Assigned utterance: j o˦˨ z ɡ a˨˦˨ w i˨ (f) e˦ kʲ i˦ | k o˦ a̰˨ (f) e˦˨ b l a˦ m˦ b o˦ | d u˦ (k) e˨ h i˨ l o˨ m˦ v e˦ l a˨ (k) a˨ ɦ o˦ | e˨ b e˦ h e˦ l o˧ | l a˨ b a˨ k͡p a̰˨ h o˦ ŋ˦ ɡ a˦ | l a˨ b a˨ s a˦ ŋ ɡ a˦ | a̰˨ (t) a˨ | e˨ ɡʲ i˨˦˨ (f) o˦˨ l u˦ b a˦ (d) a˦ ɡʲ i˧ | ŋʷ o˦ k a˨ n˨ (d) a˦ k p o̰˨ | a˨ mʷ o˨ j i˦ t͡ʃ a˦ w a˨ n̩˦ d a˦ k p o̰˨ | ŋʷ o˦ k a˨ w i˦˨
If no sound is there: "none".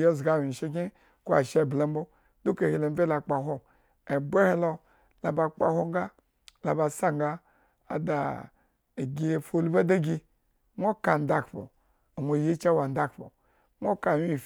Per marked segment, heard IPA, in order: ʃ, ʃ, k, k͡p, d, f, d, d

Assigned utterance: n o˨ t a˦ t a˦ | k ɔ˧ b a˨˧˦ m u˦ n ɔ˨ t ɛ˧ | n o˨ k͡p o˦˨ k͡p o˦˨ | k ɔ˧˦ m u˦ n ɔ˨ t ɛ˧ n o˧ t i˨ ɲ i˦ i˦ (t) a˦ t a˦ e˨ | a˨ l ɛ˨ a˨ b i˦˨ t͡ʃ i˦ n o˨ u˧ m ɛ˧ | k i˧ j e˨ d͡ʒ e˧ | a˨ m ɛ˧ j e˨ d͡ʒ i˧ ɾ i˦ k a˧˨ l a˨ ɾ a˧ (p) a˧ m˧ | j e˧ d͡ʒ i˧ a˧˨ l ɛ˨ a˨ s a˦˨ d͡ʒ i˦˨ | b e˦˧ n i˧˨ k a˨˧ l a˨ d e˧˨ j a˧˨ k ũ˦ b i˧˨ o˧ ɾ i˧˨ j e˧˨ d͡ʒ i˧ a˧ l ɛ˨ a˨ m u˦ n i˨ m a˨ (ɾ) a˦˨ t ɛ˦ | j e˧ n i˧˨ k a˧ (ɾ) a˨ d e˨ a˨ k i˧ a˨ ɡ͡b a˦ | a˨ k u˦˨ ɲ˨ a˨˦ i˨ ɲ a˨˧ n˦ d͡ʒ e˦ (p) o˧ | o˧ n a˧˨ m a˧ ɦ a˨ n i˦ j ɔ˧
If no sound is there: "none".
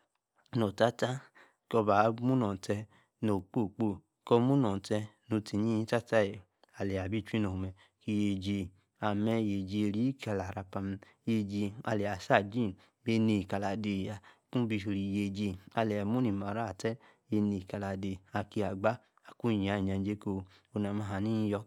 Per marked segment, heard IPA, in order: t, p, ɾ, l, k

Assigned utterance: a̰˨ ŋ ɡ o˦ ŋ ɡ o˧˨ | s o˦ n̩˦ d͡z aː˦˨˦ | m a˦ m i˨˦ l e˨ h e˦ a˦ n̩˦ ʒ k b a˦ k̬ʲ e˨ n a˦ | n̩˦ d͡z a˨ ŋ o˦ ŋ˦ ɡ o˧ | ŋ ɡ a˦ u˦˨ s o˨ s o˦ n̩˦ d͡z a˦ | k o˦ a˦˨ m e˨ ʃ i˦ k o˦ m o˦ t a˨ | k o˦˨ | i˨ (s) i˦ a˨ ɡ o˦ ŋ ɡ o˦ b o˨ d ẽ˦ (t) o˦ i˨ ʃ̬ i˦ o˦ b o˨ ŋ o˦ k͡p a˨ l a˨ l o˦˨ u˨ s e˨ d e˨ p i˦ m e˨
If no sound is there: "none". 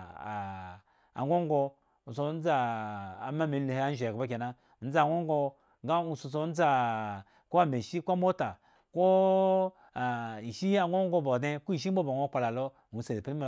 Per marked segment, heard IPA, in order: ʃ, k

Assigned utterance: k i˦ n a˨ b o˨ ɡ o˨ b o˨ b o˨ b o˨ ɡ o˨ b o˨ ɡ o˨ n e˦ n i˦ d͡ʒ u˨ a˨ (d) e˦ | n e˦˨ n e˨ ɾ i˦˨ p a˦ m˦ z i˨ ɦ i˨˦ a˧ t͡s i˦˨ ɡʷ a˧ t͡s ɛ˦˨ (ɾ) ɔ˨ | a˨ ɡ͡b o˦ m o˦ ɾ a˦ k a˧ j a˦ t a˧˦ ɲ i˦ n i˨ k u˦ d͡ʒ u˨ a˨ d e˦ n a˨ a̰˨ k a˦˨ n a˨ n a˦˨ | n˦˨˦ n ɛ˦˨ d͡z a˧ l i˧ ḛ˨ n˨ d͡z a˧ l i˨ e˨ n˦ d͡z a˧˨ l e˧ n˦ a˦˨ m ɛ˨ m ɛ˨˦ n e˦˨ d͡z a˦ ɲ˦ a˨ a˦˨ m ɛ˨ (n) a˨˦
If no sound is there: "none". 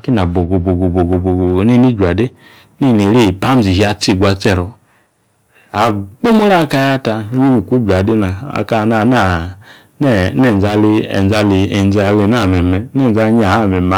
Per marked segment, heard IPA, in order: d, ɾ, m

